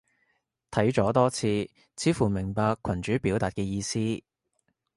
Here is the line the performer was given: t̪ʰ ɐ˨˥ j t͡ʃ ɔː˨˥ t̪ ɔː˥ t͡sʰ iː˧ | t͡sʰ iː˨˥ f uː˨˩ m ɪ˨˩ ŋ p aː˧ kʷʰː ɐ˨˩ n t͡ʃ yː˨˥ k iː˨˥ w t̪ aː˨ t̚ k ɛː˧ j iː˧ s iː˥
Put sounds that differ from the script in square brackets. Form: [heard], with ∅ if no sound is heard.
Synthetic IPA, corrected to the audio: t̪ʰ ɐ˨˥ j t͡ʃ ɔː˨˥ t̪ ɔː˥ t͡sʰ iː˧ | t͡sʰ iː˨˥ f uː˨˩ m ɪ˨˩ ŋ p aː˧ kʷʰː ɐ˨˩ n t͡ʃ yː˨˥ [p] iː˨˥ w t̪ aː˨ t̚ k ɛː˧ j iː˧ s iː˥